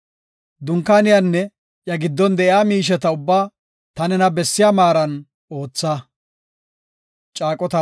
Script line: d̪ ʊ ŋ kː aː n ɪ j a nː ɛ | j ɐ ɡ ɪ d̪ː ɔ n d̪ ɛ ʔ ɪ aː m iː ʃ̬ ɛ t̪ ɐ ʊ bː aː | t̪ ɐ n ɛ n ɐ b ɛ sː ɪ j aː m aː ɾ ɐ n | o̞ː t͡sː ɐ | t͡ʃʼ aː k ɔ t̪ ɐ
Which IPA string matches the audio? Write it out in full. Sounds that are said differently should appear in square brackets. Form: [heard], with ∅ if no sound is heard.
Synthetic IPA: d̪ ʊ ŋ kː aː n ɪ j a nː ɛ | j ɐ ɡ ɪ d̪ː ɔ n d̪ ɛ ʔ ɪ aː m iː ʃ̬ ɛ t̪ ɐ ʊ bː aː | t̪ ɐ n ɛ n ɐ b ɛ sː ɪ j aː m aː ɾ ɐ n | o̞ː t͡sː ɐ | t͡ʃʼ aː [kʼ] ɔ t̪ ɐ

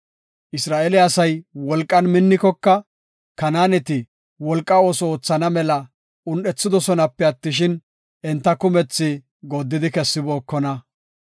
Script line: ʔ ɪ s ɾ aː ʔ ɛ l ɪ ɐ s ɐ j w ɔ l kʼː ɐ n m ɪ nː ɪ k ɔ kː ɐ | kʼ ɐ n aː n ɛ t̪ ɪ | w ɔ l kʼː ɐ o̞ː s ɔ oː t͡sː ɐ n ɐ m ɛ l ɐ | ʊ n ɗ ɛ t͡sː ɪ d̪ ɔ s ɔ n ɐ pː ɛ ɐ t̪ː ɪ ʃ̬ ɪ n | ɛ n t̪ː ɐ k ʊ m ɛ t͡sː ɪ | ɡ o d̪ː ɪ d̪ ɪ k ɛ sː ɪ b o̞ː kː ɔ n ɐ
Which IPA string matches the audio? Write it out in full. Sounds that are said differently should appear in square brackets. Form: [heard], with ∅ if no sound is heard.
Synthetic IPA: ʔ ɪ s ɾ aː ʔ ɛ l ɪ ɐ s ɐ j w ɔ l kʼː ɐ n m ɪ nː ɪ k ɔ kː ɐ | [k] ɐ n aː n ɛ t̪ ɪ | w ɔ l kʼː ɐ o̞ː s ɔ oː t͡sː ɐ n ɐ m ɛ l ɐ | ʊ n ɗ ɛ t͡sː ɪ d̪ ɔ s ɔ n ɐ pː ɛ ɐ t̪ː ɪ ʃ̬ ɪ n | ɛ n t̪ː ɐ k ʊ m ɛ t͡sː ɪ | ɡ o d̪ː ɪ d̪ ɪ k ɛ sː ɪ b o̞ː kː ɔ n ɐ

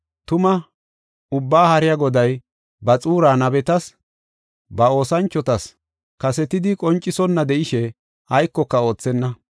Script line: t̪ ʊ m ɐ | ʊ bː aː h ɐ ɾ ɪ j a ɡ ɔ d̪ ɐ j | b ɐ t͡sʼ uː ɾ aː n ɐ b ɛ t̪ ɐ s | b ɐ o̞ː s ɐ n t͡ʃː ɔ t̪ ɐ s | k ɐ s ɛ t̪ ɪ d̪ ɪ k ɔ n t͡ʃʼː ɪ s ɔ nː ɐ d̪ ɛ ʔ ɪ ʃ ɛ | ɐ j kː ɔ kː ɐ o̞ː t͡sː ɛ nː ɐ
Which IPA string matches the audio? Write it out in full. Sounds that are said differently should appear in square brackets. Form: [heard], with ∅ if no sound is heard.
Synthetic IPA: t̪ ʊ m ɐ | ʊ bː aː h ɐ ɾ ɪ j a ɡ ɔ d̪ ɐ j | b ɐ t͡sʼ uː ɾ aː n ɐ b ɛ t̪ ɐ s | b ɐ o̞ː s ɐ n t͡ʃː ɔ t̪ ɐ s | k ɐ s ɛ t̪ ɪ d̪ ɪ [kʼ] ɔ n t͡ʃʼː ɪ s ɔ nː ɐ d̪ ɛ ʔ ɪ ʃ ɛ | ɐ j kː ɔ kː ɐ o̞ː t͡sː ɛ nː ɐ

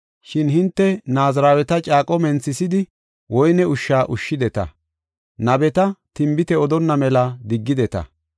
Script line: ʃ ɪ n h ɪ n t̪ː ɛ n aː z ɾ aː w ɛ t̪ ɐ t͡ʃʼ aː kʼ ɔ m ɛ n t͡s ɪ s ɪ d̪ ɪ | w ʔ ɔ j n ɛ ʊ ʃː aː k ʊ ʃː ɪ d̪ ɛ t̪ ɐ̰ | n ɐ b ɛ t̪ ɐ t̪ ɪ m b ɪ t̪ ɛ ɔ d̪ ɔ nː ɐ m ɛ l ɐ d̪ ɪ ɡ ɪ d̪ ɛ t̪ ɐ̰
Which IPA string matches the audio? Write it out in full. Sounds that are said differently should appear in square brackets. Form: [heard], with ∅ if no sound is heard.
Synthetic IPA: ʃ ɪ n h ɪ n t̪ː ɛ n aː z ɾ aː w ɛ t̪ ɐ t͡ʃʼ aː kʼ ɔ m ɛ n t͡s ɪ s ɪ d̪ ɪ | w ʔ ɔ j n ɛ ʊ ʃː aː [ʔ] ʊ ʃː ɪ d̪ ɛ t̪ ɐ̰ | n ɐ b ɛ t̪ ɐ t̪ ɪ m b ɪ t̪ ɛ ɔ d̪ ɔ nː ɐ m ɛ l ɐ d̪ ɪ [ɡː] ɪ d̪ ɛ t̪ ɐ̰

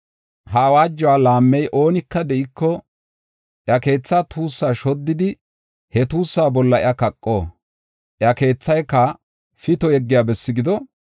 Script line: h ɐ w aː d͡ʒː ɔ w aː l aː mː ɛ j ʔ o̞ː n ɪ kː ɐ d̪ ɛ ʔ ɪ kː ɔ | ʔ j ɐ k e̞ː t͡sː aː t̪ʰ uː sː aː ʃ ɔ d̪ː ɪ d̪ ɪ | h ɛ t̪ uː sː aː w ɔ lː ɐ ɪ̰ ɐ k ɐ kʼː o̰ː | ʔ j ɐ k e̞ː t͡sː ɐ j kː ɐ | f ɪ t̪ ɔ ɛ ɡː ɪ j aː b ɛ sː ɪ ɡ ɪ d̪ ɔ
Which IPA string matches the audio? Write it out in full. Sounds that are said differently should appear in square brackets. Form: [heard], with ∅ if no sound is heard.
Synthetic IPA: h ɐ w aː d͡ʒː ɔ w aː l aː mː ɛ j ʔ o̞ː n ɪ kː ɐ d̪ ɛ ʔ ɪ kː ɔ | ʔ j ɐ k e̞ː t͡sː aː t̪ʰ uː sː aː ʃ ɔ d̪ː ɪ d̪ ɪ | h ɛ t̪ uː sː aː [b] ɔ lː ɐ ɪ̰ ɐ k ɐ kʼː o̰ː | ʔ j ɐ k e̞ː t͡sː ɐ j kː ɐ | f ɪ t̪ ɔ ɛ ɡː ɪ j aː b ɛ sː ɪ ɡ ɪ d̪ ɔ

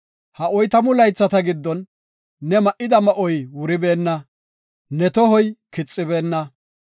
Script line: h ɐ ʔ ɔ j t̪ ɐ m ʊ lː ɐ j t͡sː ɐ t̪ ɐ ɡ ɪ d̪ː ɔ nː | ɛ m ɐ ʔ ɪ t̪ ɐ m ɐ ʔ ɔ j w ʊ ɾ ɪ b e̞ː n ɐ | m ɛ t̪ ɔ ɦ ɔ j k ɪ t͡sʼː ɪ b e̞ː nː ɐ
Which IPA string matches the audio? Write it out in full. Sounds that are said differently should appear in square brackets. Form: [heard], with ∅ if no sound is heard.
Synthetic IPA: h ɐ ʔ ɔ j t̪ ɐ m ʊ [l] ɐ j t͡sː ɐ t̪ ɐ ɡ ɪ d̪ː ɔ nː | ɛ m ɐ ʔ ɪ [d̪] ɐ m ɐ ʔ ɔ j w ʊ ɾ ɪ b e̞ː [nː] ɐ | [n] ɛ t̪ ɔ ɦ ɔ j k ɪ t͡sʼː ɪ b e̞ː nː ɐ

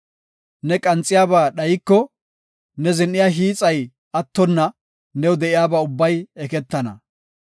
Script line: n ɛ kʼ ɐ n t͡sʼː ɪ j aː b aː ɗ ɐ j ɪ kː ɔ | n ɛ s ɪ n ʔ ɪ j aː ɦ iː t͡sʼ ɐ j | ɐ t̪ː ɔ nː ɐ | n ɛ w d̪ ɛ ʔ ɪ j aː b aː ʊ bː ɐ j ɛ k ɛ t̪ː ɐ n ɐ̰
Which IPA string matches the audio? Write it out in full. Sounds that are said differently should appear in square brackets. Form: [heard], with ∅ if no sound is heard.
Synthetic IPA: n ɛ kʼ ɐ n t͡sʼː ɪ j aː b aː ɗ ɐ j ɪ kː ɔ | n ɛ [z] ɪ n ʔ ɪ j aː ɦ iː t͡sʼ ɐ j | ɐ t̪ː ɔ nː ɐ | n ɛ w d̪ ɛ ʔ ɪ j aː b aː ʊ bː ɐ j ɛ k ɛ t̪ː ɐ n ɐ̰

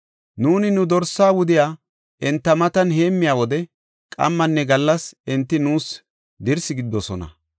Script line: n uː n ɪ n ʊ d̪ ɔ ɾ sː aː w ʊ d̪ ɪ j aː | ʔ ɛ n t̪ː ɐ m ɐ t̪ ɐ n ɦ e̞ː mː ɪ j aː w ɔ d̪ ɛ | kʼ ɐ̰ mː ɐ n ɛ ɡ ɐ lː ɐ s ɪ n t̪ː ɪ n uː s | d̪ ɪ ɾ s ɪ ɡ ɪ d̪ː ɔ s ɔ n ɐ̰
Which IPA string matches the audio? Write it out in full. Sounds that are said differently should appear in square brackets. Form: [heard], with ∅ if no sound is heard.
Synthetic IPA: n uː n ɪ n ʊ d̪ ɔ ɾ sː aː w ʊ d̪ ɪ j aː | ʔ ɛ n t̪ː ɐ m ɐ t̪ ɐ n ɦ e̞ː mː ɪ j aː w ɔ d̪ ɛ | kʼ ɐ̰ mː ɐ [nː] ɛ ɡ ɐ lː ɐ s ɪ n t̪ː ɪ n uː s | d̪ ɪ ɾ s ɪ ɡ ɪ d̪ː ɔ s ɔ n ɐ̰

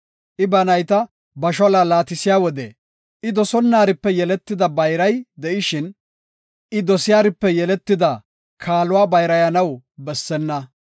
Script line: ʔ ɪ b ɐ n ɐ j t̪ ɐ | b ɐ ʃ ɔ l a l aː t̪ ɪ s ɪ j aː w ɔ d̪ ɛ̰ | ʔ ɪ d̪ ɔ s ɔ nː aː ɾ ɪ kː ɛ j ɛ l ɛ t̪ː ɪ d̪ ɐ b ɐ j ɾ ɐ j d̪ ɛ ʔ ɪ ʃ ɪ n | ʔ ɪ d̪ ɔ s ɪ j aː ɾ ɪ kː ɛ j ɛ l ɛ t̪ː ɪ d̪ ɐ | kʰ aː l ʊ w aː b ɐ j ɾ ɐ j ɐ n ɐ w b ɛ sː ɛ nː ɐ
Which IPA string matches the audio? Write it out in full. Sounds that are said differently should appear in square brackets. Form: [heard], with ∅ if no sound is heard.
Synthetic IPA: ʔ ɪ b ɐ n ɐ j t̪ ɐ | b ɐ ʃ ɔ l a l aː t̪ ɪ s ɪ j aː w ɔ d̪ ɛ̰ | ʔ ɪ d̪ ɔ s ɔ nː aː ɾ ɪ [pː] ɛ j ɛ l ɛ t̪ː ɪ d̪ ɐ b ɐ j ɾ ɐ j d̪ ɛ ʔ ɪ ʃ ɪ n | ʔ ɪ d̪ ɔ s ɪ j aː ɾ ɪ [pː] ɛ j ɛ l ɛ t̪ː ɪ d̪ ɐ | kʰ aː l ʊ w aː b ɐ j ɾ ɐ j ɐ n ɐ w b ɛ sː ɛ nː ɐ

